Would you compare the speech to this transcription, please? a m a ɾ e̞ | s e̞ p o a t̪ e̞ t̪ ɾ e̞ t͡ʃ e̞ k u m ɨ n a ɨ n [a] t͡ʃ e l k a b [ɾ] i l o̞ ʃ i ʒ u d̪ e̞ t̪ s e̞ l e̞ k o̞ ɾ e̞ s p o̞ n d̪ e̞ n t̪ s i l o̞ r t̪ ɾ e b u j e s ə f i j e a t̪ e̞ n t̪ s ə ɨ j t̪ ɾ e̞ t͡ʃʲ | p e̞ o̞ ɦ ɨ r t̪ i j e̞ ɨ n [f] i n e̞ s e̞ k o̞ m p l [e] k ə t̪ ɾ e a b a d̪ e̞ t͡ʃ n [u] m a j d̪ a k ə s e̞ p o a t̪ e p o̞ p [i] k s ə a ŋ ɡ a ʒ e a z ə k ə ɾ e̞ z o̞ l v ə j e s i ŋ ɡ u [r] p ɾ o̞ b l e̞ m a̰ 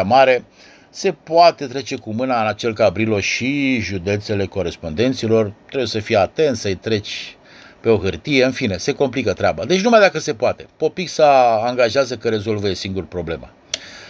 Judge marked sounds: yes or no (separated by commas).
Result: yes, yes, yes, no, yes, yes, yes